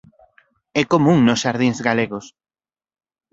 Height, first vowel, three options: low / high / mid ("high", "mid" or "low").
mid